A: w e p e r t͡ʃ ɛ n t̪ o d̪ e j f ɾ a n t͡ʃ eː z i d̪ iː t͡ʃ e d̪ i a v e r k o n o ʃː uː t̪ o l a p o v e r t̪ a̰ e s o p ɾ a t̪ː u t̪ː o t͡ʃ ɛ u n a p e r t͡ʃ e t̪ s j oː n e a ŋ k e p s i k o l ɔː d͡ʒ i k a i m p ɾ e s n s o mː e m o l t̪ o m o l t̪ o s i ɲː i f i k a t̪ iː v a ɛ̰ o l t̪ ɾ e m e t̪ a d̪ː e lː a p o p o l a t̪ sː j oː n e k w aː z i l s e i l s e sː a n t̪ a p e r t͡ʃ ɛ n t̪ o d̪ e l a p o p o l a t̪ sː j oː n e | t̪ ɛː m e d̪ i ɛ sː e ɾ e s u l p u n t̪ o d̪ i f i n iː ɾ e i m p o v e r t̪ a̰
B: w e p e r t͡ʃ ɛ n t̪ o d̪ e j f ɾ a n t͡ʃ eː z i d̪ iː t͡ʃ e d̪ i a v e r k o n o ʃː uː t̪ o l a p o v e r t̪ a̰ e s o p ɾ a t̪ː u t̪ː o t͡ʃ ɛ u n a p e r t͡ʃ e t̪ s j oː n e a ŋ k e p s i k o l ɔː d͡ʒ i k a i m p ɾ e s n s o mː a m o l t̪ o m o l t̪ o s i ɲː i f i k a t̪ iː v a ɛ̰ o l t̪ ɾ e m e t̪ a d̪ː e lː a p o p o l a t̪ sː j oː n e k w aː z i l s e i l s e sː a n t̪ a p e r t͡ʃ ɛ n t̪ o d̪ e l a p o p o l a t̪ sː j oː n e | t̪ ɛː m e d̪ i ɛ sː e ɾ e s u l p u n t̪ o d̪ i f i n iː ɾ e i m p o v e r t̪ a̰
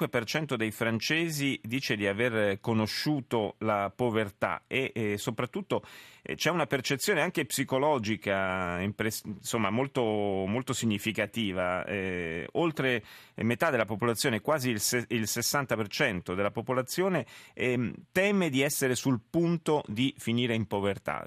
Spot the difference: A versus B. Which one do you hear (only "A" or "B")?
B